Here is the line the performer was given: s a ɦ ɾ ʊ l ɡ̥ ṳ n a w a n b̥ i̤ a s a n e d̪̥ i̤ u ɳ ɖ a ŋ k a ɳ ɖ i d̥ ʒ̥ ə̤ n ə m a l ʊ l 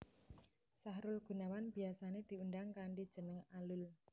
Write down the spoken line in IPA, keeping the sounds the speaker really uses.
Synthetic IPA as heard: s a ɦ ɾ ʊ l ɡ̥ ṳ n a w a n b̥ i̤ a s a n e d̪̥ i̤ u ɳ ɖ a ŋ k a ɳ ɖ i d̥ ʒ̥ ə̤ n ə ŋ a l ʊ l